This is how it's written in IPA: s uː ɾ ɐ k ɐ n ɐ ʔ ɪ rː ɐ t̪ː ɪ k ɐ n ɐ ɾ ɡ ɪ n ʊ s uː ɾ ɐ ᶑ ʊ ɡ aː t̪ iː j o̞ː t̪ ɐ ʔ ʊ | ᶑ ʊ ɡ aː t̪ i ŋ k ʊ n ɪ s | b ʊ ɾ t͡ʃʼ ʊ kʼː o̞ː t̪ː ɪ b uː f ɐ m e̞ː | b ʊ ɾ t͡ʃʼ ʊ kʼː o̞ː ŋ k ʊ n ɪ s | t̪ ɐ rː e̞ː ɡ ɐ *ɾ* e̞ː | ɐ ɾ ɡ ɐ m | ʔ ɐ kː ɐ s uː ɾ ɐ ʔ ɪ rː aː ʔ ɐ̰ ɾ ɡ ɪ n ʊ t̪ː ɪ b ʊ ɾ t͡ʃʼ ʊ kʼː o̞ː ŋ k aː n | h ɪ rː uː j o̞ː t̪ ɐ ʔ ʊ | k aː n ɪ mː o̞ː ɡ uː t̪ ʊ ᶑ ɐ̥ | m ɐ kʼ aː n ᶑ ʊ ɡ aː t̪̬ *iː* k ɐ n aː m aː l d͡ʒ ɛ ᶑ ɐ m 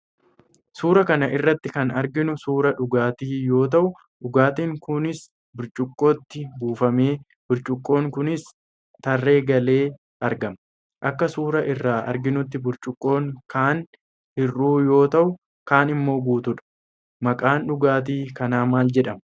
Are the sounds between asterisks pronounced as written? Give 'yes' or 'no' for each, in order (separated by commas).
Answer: no, yes